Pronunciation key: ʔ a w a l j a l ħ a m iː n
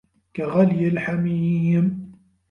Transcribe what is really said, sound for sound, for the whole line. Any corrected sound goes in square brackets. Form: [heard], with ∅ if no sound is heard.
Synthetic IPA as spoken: [k] a [ɣ] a l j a l ħ a m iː [m]